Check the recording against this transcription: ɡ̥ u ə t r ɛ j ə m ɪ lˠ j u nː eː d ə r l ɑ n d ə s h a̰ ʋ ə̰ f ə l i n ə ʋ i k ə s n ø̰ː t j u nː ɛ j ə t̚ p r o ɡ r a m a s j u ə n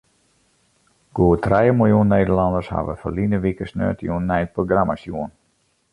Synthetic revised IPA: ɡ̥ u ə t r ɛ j ə m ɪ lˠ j u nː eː d ə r l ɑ n d ə s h a̰ ʋ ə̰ f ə l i n ə ʋ i k ə s n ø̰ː t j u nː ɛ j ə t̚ p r o ɡ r a m a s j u ə n